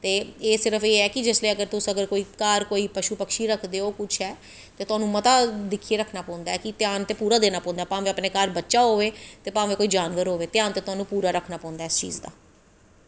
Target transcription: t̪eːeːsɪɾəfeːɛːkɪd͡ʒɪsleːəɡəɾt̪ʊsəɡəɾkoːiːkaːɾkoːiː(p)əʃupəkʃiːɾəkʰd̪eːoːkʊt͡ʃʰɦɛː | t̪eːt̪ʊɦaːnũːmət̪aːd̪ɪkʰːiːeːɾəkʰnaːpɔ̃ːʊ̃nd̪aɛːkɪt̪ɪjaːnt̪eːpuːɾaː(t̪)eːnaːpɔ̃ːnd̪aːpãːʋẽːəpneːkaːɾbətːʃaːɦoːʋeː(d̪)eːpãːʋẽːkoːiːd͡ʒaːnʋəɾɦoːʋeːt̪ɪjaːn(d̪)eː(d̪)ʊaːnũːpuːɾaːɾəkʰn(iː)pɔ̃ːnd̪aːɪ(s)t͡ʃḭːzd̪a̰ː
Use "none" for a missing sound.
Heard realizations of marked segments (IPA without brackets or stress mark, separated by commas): p, d̪, t̪, t̪, t̪, aː, s